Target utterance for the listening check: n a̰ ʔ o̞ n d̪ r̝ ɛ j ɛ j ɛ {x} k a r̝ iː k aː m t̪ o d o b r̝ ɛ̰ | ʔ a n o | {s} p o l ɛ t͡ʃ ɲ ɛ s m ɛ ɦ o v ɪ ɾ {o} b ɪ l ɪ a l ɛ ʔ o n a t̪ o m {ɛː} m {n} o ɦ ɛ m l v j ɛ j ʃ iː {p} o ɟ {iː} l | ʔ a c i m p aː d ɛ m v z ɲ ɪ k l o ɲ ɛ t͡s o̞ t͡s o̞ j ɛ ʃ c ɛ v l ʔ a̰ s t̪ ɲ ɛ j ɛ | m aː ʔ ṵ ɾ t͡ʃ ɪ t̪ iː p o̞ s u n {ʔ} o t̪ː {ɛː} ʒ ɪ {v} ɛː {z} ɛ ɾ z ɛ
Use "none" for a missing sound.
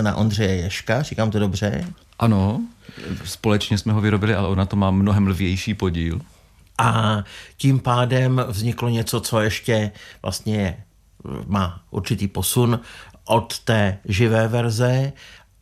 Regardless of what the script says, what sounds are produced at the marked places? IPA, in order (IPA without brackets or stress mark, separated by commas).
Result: ʃ, s, o, aː, n, p, iː, ʔ, ɛː, v, v